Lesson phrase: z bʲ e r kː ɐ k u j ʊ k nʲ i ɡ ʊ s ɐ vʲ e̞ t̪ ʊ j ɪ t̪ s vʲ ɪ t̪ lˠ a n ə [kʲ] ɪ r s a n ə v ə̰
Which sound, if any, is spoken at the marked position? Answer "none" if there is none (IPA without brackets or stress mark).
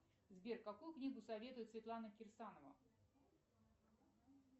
kʲ